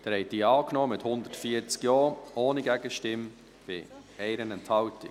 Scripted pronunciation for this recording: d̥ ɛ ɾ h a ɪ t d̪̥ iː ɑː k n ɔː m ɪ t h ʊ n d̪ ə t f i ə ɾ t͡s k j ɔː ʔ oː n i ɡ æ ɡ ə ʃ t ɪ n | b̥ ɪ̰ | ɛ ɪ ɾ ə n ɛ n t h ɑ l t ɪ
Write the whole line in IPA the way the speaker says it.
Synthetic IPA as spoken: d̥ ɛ ɾ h ɛ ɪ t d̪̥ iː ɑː k n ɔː m ɪ t h ʊ n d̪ ə t f i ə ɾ t͡s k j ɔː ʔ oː n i ɡ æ ɡ ə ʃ t ɪ m | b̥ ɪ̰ | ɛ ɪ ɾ ə n ɛ n t h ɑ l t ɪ